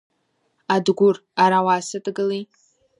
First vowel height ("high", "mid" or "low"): low